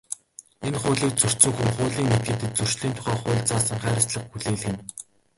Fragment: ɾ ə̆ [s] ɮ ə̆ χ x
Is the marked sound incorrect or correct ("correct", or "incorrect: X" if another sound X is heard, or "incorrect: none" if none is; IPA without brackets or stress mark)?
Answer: correct